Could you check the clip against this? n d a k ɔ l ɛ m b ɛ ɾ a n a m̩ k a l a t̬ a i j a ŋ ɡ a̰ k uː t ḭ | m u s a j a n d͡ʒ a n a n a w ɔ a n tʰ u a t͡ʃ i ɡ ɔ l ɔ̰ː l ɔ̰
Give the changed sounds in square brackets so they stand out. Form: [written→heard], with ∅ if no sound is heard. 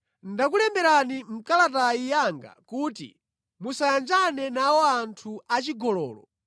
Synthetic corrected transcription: n d a k [ɔ→u] l ɛ m b ɛ ɾ a n [a→i] m̩ k a l a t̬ a i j a ŋ ɡ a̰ k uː t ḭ | m u s a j a n d͡ʒ a n [a→ɛ] n a w ɔ a n tʰ u a t͡ʃ i ɡ ɔ l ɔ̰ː l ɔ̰